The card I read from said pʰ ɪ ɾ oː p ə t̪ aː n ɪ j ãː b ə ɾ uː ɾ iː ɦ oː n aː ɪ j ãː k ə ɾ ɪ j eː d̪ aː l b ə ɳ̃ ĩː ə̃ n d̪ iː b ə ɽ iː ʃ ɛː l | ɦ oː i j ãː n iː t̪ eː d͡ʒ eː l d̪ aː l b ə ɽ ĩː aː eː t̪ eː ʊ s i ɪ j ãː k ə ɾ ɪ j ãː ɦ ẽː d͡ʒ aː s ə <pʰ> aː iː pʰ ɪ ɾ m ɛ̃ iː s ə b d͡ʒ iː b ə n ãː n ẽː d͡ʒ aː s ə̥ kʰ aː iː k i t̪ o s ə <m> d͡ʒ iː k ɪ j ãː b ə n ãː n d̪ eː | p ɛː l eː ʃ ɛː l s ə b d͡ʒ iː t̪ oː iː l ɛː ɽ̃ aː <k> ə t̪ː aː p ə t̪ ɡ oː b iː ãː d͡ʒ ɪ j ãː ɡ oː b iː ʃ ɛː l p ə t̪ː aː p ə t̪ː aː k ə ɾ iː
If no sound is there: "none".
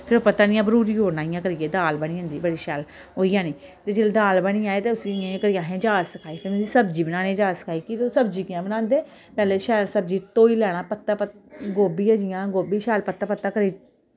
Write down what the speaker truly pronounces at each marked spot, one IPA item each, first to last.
kʰ, b, p

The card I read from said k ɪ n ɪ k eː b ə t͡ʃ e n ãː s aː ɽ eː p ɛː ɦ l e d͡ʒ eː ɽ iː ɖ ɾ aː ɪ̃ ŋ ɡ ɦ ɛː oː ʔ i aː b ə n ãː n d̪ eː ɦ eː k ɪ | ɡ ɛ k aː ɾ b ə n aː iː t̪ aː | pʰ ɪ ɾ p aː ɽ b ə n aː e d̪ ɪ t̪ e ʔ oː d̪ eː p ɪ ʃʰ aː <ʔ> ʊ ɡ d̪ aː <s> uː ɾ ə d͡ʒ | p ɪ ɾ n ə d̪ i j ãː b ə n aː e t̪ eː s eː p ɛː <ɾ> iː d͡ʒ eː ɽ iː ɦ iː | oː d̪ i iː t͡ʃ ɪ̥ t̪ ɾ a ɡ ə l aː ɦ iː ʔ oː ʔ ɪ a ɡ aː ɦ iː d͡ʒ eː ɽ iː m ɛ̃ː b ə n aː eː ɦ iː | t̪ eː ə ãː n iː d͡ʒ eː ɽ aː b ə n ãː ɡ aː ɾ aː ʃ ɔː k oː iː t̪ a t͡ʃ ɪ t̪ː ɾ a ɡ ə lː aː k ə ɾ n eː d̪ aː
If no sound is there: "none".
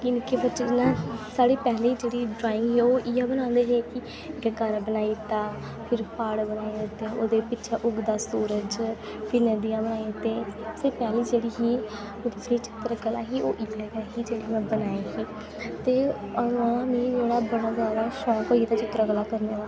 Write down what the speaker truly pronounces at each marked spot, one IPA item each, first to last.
ʔ, s, l

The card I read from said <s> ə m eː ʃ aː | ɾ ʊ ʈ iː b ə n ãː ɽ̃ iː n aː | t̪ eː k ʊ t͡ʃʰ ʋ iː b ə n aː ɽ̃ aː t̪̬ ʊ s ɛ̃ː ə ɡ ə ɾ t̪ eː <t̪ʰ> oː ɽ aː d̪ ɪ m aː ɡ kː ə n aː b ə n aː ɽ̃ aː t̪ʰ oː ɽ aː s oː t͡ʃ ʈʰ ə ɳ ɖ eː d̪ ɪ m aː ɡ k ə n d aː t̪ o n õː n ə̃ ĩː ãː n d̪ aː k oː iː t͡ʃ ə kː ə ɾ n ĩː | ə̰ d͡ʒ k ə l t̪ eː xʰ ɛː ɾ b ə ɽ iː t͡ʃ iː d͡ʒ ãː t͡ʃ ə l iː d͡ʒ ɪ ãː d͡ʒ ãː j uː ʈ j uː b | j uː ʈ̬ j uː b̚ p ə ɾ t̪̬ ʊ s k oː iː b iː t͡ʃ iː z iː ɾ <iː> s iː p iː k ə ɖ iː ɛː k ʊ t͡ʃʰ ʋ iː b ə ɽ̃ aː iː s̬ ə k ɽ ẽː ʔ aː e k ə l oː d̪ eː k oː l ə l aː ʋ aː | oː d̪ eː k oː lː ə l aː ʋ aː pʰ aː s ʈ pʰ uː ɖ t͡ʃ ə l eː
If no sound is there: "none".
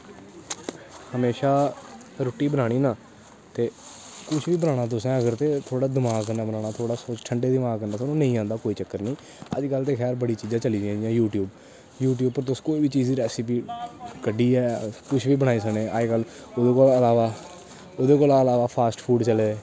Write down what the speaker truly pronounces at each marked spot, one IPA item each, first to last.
h, t̪ʰ, ɛː

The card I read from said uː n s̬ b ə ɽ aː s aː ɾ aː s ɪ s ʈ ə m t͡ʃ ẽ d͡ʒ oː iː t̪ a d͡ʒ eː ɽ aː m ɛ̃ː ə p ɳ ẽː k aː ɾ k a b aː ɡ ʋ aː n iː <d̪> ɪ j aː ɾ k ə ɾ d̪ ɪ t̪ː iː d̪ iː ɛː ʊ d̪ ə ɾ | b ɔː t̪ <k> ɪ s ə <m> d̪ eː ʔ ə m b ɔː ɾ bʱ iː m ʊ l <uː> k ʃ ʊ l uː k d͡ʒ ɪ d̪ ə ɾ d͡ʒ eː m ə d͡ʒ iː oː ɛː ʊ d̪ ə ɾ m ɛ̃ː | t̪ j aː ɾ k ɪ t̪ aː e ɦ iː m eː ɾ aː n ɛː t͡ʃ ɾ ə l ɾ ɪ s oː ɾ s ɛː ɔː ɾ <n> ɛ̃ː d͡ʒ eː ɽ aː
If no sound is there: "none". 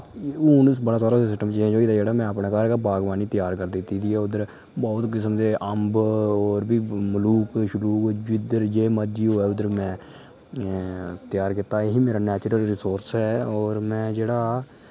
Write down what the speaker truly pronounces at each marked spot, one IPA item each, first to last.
t̪, k, m, uː, m

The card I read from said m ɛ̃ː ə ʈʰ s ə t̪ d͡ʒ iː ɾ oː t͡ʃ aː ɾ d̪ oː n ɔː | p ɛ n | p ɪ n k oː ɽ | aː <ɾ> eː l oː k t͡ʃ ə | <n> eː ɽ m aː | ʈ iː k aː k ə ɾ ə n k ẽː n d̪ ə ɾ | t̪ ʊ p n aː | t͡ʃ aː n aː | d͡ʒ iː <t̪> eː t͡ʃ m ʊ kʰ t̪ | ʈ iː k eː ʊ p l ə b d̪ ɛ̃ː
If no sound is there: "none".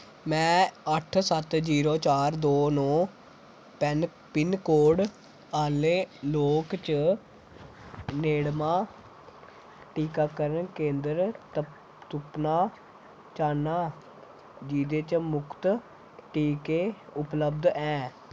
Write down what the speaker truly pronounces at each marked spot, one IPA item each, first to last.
l, n, d̪

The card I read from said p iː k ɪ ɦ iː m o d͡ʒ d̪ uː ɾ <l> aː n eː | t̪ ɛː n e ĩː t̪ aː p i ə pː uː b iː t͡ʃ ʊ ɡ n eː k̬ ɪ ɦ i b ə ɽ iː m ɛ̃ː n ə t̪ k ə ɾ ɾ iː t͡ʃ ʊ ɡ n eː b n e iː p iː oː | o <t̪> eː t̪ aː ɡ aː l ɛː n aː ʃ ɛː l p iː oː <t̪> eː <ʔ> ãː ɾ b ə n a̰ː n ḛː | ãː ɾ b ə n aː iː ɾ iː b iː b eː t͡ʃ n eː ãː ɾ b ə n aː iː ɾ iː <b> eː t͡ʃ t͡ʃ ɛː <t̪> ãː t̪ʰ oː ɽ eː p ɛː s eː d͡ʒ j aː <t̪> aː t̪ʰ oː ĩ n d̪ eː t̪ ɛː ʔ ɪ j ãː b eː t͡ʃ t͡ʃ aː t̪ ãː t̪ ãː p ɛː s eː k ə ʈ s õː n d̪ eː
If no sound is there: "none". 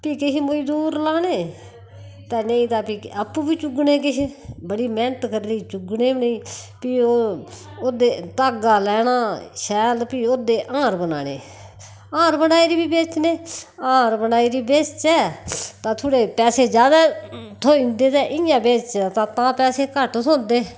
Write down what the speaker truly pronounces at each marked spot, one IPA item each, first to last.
l, d̪, d̪, ʔ, b, t̪, d̪

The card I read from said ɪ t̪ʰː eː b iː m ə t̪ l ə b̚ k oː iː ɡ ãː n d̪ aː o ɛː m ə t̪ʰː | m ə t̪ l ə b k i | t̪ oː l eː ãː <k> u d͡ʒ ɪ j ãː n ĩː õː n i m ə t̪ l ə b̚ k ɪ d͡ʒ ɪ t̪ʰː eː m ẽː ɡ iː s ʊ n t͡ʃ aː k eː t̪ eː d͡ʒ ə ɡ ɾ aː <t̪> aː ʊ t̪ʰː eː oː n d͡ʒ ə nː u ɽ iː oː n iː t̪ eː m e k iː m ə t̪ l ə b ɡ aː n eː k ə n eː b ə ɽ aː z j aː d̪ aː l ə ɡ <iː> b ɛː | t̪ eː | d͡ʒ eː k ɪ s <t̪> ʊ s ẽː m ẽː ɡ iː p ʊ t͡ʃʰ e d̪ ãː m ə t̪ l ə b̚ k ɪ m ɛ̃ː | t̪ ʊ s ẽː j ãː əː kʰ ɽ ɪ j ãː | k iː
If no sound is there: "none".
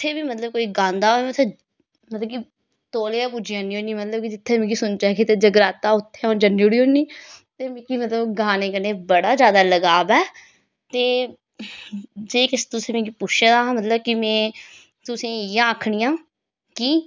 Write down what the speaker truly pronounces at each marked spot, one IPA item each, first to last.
p, t̪, aː, t̪

